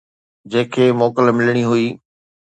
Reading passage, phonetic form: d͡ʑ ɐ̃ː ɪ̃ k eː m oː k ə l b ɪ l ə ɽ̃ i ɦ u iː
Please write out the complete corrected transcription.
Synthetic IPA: d͡ʑ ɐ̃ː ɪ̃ kʰ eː m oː k ə l m ɪ l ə ɽ̃ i ɦ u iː